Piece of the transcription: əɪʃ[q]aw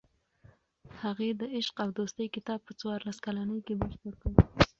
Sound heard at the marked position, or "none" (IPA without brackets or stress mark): q